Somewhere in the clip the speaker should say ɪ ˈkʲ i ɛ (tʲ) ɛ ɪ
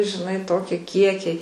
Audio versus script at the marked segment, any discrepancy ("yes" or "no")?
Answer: yes